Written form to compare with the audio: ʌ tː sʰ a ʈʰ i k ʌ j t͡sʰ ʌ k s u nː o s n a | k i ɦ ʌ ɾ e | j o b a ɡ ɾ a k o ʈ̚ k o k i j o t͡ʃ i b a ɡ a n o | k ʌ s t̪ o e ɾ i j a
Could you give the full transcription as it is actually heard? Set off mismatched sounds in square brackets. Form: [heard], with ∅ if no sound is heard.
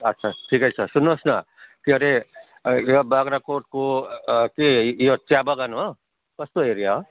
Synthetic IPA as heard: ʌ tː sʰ a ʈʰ i k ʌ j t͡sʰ ʌ [∅] s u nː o s n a | k i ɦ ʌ ɾ e | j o b a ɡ ɾ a k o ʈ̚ k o k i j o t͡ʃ [a] b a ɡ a n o | k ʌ s t̪ o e ɾ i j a